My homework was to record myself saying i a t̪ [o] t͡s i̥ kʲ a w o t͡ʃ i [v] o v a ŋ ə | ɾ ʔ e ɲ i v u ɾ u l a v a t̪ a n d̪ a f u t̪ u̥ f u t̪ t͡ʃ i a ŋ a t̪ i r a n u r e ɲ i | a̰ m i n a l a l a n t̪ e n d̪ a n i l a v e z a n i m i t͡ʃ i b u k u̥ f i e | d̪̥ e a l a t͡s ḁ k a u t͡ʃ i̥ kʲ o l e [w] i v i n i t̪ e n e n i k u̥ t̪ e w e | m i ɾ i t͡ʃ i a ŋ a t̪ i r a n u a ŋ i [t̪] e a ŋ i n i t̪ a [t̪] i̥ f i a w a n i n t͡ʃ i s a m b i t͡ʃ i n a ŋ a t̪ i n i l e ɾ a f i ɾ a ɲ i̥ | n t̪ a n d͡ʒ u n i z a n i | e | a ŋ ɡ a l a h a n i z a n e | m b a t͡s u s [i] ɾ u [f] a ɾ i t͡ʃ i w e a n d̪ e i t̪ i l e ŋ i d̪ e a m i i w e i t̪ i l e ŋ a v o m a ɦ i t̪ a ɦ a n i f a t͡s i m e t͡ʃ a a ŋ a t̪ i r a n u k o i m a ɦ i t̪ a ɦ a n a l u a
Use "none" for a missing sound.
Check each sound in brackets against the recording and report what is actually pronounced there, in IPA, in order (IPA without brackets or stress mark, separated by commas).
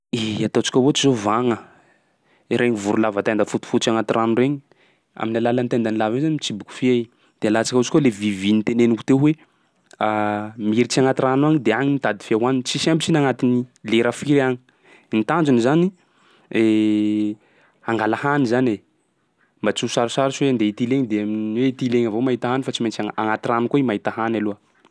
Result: o, z, v, d̪, d̪, a, s